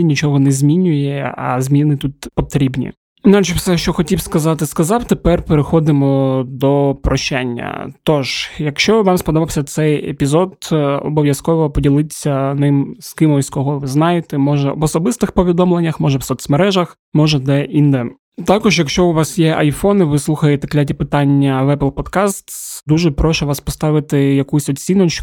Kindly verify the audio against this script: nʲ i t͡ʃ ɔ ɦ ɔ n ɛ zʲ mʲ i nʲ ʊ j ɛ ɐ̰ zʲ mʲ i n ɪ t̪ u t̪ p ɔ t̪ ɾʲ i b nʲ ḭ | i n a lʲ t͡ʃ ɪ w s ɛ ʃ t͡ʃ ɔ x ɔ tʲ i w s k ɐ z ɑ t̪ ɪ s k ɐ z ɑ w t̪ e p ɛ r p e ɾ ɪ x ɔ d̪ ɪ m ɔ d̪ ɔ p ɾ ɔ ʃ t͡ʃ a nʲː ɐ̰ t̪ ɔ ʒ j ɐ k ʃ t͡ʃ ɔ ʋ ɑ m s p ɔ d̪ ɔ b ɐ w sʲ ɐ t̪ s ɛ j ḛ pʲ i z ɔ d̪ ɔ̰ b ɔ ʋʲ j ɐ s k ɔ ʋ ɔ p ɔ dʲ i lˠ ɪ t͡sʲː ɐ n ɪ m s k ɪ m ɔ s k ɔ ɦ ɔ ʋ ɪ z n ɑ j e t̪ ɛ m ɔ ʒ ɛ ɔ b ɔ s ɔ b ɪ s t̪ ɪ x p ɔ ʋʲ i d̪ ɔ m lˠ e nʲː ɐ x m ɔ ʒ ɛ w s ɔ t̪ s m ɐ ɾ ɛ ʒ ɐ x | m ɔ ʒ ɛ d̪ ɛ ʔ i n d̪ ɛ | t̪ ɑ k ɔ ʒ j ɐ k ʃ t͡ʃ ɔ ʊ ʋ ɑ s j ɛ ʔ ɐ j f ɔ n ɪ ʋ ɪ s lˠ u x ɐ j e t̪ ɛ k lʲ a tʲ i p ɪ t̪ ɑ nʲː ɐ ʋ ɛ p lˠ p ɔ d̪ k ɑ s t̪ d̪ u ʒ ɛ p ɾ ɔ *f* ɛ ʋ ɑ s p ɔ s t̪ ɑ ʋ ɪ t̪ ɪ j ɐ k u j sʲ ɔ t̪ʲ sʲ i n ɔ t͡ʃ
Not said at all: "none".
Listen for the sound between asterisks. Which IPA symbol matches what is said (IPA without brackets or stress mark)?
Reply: ʃ